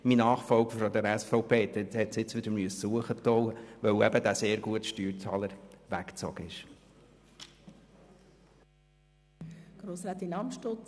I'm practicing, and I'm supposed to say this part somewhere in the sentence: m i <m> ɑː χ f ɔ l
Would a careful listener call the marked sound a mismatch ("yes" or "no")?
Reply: yes